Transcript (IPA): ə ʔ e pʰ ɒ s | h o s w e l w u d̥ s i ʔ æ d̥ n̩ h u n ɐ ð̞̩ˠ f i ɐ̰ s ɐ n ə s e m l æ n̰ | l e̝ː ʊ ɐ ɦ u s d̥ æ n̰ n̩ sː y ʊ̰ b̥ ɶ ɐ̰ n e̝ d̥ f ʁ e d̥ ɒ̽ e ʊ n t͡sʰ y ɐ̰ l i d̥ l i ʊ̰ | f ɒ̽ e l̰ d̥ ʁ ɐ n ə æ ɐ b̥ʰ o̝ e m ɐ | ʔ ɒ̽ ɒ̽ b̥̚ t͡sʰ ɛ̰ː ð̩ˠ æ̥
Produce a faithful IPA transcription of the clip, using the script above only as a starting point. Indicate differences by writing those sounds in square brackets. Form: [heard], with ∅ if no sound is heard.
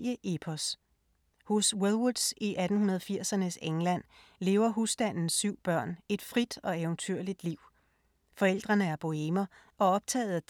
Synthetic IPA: ə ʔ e pʰ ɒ s | h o s w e l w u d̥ s i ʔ æ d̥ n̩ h u n ɐ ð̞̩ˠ f i ɐ̰ s ɐ n ə s e [ŋ] l æ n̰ | l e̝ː ʊ ɐ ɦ u s d̥ æ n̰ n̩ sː y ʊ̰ b̥ ɶ ɐ̰ n e̝ d̥ f ʁ [i] d̥ ɒ̽ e ʊ n t͡sʰ y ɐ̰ l i d̥ l i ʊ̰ | f ɒ̽ e l̰ d̥ ʁ ɐ n ə æ ɐ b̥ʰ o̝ e m ɐ | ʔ ɒ̽ ɒ̽ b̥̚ t͡sʰ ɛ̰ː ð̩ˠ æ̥